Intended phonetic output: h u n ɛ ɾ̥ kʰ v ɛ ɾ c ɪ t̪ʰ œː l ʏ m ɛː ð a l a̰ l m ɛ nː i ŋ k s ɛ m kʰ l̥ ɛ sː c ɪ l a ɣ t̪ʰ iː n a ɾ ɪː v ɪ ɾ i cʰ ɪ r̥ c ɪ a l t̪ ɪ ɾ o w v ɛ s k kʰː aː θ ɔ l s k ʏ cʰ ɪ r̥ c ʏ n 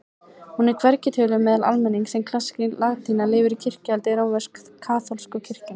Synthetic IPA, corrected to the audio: h u n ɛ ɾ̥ kʰ v ɛ ɾ c ɪ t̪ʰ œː l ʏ m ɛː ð a l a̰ l m ɛ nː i ŋ k s ɛ m kʰ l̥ a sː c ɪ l a ɣ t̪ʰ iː n a l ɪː v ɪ ɾ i cʰ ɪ r̥ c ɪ a l t̪ ɪ ɾ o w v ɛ s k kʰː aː θ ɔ l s k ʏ cʰ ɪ r̥ c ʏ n